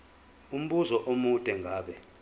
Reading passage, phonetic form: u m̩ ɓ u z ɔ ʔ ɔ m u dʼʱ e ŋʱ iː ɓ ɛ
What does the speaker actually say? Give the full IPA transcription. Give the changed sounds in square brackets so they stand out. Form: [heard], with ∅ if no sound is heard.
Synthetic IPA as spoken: u m̩ ɓ u z ɔ ʔ [o] m u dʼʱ [ɛ] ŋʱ [aː] ɓ ɛ